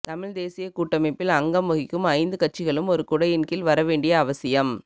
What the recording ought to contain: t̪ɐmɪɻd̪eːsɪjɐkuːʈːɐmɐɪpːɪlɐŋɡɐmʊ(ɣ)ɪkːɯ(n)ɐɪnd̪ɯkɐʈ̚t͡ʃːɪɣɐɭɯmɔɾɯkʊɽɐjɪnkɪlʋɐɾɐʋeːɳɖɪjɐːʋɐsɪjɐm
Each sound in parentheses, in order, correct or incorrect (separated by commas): correct, incorrect